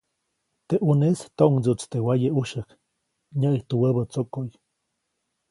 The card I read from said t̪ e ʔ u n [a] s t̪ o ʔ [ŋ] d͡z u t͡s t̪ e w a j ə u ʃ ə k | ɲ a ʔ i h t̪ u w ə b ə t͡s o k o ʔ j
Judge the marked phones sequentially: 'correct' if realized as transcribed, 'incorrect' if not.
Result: incorrect: e, correct

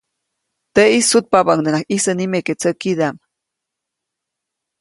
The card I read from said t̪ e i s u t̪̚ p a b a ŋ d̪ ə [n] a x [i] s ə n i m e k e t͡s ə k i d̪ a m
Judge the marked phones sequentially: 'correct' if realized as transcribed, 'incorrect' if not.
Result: correct, correct

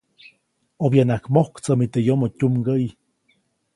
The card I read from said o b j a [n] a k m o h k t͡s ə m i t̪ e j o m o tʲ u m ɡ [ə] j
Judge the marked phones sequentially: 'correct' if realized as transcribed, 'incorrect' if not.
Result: correct, correct

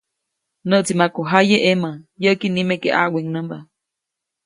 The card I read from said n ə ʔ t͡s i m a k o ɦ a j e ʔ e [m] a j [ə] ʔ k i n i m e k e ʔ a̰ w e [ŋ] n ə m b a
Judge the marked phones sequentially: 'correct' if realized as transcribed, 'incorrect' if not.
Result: correct, correct, correct

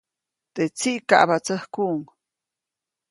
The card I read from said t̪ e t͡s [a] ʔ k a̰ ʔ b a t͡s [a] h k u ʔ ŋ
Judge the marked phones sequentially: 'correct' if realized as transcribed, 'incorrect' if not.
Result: incorrect: i, incorrect: ə

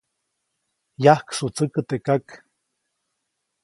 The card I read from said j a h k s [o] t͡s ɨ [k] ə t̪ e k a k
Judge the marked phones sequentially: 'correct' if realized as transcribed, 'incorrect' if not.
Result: incorrect: u, correct

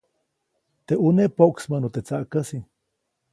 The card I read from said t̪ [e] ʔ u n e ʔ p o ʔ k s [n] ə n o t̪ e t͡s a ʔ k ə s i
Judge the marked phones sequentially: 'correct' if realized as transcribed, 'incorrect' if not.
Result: correct, incorrect: m

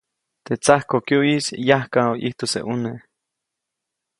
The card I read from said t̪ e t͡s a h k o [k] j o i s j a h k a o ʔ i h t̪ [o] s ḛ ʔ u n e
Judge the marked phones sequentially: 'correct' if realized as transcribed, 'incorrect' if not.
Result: correct, correct

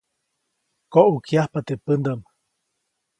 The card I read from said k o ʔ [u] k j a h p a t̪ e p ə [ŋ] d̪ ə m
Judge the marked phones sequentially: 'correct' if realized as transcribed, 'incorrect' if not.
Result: correct, incorrect: n

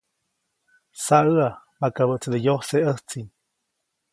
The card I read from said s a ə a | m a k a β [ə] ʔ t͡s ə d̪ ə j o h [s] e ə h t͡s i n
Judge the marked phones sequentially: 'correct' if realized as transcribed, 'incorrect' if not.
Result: correct, correct

